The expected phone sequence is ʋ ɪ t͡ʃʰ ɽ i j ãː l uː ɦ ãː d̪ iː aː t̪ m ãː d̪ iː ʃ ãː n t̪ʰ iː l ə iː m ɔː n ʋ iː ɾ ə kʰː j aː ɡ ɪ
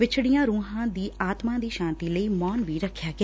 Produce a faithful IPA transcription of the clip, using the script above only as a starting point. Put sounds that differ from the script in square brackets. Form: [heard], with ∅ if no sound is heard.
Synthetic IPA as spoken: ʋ ɪ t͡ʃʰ ɽ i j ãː [ɾ] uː ɦ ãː d̪ iː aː t̪ m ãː d̪ iː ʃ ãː n [t̪] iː l ə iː m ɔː n ʋ iː ɾ ə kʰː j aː ɡ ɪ